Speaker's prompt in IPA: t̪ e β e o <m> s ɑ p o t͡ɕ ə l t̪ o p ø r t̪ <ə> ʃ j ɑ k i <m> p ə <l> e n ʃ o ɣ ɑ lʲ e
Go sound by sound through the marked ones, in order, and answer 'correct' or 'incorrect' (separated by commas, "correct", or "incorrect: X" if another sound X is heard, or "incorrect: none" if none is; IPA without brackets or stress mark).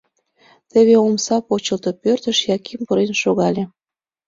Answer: correct, correct, correct, incorrect: ɾ